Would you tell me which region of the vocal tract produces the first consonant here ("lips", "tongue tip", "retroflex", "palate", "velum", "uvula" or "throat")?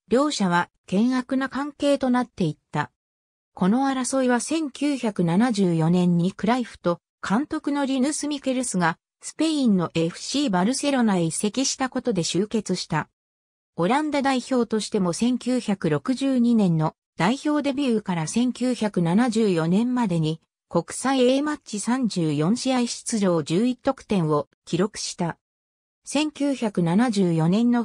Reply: tongue tip